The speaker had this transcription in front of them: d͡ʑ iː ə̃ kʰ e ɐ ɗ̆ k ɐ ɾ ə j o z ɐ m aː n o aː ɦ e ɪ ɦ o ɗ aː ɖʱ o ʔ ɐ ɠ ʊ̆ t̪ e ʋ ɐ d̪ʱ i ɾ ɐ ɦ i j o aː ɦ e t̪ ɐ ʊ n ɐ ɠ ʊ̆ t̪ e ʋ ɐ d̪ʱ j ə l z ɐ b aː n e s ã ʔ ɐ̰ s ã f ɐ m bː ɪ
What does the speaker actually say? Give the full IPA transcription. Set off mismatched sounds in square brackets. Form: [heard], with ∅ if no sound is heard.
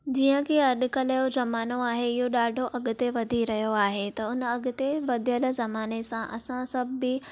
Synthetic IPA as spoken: d͡ʑ iː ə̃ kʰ e ɐ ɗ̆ k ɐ [l] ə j o z ɐ m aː n o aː ɦ e ɪ ɦ o ɗ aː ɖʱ o ʔ ɐ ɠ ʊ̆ t̪ e ʋ ɐ d̪ʱ i ɾ ɐ ɦ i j o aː ɦ e t̪ ɐ ʊ n ɐ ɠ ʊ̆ t̪ e ʋ ɐ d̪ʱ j ə l z ɐ [m] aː n e s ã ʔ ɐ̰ s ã [s] ɐ [b] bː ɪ